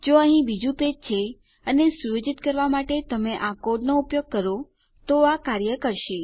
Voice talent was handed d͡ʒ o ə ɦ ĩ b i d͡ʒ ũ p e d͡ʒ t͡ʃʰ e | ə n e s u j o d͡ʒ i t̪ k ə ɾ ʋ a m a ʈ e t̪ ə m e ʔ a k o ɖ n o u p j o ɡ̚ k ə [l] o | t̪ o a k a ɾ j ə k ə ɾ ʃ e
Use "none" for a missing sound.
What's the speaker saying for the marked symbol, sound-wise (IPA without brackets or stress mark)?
ɾ